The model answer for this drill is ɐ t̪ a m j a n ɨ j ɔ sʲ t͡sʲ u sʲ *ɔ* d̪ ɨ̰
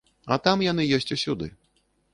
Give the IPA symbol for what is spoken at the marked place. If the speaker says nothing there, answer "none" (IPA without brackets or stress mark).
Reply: u